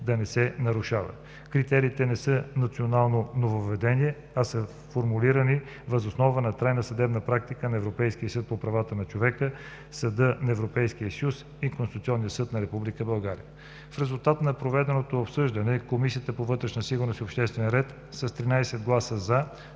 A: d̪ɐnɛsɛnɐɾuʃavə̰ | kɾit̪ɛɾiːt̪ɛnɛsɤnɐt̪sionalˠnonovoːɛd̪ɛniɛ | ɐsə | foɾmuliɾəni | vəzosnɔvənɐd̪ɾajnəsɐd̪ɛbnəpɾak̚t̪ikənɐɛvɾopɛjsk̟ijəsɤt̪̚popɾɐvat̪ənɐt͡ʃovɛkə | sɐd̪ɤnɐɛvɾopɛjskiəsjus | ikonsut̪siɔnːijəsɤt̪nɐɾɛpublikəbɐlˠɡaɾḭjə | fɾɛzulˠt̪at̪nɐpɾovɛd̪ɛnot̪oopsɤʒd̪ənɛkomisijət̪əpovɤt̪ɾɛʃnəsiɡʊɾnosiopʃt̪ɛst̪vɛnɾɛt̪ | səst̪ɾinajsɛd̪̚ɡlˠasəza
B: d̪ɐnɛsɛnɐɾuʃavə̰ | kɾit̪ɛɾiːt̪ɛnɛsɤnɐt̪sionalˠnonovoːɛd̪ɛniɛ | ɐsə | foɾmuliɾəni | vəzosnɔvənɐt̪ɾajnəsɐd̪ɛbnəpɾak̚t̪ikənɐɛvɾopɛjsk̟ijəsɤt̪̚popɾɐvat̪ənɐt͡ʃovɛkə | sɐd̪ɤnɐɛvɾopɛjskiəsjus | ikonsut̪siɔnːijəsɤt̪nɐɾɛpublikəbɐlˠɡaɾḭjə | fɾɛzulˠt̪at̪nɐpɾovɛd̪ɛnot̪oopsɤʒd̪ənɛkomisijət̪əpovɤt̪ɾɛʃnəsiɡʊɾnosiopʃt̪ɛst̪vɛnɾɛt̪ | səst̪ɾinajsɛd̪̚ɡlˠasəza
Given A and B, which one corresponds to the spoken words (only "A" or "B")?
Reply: B